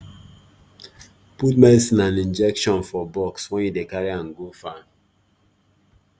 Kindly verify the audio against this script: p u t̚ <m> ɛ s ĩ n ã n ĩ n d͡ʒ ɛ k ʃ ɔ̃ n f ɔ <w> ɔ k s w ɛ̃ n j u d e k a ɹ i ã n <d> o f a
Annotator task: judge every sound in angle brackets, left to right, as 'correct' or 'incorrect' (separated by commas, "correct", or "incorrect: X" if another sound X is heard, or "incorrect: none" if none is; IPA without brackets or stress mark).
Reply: correct, incorrect: b, incorrect: ɡ